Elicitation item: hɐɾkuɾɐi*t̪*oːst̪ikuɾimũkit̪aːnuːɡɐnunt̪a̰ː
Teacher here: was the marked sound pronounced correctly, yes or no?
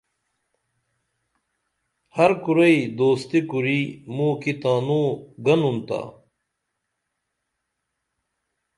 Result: no